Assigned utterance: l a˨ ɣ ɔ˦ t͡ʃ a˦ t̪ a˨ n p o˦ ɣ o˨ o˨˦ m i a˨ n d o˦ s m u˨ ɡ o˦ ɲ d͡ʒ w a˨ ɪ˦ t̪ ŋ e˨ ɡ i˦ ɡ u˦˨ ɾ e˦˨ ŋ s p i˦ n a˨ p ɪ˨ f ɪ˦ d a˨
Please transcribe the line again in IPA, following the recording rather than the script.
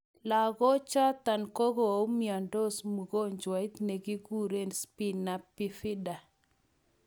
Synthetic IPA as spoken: l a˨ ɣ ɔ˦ t͡ʃ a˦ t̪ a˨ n k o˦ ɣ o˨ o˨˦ m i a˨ n d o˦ s m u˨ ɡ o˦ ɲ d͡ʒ w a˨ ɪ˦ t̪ n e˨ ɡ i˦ ɡ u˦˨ ɾ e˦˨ n s p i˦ n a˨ p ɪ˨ f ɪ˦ d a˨